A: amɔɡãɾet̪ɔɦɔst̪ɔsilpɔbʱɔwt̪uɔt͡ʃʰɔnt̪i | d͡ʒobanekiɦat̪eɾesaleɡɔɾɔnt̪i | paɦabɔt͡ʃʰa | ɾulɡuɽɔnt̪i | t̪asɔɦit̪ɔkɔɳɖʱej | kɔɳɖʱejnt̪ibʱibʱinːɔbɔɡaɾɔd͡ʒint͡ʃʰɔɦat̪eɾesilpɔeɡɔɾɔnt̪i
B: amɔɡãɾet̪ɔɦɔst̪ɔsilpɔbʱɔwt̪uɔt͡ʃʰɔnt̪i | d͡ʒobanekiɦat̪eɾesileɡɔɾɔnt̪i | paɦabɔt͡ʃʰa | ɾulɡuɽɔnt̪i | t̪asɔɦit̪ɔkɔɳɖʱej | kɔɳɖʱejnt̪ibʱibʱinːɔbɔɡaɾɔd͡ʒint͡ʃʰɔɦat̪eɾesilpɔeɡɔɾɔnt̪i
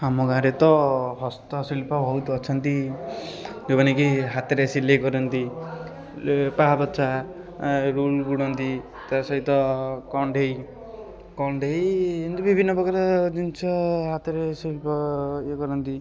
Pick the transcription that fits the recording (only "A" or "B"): B